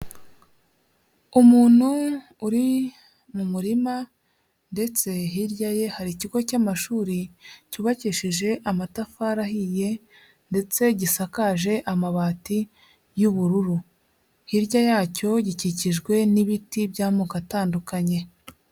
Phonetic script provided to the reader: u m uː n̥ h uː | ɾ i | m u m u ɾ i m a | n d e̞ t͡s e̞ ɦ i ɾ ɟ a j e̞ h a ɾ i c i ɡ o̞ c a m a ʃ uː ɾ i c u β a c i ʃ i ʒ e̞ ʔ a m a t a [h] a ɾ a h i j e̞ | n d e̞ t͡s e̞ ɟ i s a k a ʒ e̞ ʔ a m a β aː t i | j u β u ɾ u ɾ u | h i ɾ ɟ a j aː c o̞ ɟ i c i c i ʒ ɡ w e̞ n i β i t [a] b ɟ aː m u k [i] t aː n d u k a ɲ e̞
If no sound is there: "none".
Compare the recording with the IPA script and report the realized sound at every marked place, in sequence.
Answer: f, i, a

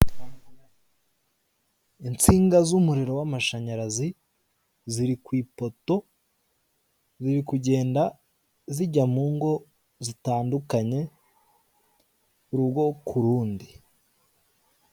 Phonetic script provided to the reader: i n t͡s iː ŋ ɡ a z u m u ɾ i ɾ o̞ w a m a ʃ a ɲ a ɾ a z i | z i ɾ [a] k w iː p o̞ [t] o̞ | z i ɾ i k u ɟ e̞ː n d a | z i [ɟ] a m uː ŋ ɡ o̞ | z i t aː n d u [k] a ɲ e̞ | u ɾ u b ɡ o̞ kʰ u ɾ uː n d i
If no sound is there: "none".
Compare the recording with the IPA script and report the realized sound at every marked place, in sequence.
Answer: i, t, ɟ, k

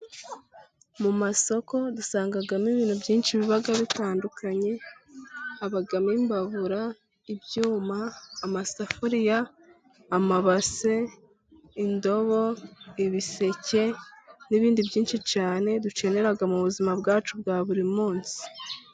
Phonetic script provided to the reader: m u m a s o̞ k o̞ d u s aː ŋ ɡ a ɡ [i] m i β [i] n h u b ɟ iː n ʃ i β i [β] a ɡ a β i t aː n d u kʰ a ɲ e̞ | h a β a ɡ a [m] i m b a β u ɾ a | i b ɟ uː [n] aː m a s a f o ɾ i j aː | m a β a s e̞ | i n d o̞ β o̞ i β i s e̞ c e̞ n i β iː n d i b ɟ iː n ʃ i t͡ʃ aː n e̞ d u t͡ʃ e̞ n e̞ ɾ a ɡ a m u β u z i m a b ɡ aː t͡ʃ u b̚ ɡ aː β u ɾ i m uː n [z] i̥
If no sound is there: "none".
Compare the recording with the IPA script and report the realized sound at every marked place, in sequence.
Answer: a, iː, β, m, m, s

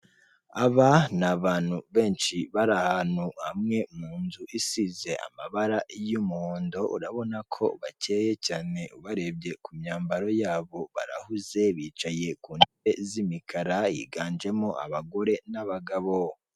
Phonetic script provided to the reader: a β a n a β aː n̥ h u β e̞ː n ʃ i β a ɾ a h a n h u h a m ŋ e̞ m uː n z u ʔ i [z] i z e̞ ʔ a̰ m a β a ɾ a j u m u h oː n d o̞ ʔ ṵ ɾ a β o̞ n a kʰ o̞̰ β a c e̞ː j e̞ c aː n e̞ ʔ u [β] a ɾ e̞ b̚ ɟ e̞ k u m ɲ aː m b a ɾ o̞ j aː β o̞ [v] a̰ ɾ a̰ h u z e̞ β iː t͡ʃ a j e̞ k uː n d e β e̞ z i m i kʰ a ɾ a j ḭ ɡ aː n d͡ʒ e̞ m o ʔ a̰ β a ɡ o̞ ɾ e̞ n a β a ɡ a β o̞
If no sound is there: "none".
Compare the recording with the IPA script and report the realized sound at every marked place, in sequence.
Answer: s, β, β

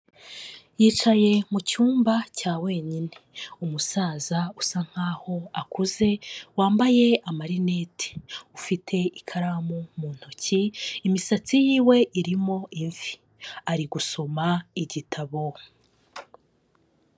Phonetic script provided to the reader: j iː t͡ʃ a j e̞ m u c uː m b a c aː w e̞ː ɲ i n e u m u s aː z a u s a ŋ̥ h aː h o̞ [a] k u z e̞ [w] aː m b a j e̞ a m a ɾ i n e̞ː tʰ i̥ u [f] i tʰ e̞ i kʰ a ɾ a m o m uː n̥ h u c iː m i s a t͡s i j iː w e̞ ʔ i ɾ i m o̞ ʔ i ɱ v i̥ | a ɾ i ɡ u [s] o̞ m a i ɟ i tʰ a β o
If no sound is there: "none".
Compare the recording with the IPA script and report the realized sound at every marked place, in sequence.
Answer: a, w, f, s

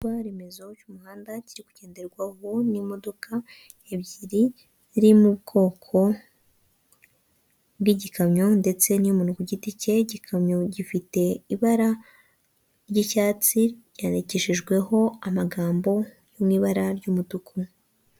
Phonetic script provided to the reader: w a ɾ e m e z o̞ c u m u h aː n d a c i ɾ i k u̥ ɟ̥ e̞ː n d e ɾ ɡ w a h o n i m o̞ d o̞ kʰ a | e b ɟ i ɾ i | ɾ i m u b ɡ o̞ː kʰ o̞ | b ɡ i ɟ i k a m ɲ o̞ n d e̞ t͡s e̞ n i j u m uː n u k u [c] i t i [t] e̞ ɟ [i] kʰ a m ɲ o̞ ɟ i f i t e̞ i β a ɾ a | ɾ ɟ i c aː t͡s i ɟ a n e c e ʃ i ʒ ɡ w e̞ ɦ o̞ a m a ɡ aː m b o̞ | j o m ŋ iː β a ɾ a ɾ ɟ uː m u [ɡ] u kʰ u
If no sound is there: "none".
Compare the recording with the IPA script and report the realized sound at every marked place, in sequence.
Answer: ɟ, c, i, d

